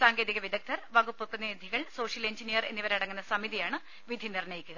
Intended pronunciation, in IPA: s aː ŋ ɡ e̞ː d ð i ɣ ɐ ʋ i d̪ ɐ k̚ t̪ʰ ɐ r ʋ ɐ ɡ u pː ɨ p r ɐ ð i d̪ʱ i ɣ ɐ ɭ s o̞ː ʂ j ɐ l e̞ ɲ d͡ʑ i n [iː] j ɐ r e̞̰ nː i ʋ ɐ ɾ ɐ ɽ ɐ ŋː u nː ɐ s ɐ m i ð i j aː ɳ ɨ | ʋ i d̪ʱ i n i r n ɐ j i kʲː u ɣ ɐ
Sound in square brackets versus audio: incorrect: i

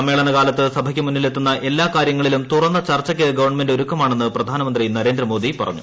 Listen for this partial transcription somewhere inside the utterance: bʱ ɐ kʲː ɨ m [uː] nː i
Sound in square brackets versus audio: incorrect: u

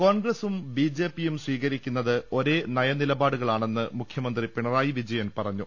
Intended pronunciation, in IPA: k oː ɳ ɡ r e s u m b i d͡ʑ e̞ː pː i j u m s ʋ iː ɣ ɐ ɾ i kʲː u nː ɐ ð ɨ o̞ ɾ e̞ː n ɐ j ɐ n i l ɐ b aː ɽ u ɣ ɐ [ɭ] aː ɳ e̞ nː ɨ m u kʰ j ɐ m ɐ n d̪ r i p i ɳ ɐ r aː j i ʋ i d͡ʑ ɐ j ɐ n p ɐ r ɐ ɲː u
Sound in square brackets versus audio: correct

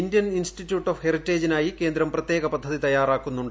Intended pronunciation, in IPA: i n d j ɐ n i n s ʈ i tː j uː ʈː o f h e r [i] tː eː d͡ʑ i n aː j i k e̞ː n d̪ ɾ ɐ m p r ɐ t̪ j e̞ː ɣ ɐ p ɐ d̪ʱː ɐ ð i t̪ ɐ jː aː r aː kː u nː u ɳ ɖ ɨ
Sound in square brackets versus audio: correct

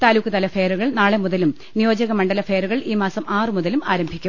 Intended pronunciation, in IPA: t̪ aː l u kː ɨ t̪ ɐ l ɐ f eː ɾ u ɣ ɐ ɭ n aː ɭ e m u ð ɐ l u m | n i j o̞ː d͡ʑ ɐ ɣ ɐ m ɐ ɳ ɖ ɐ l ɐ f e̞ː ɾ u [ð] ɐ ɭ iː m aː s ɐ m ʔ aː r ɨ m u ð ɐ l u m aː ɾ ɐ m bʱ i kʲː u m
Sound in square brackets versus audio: incorrect: ɣ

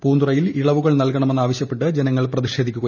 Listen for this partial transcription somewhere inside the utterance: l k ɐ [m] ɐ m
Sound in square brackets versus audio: incorrect: ɳ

